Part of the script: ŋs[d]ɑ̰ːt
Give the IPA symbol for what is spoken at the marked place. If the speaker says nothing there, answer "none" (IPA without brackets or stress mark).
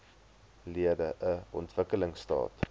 t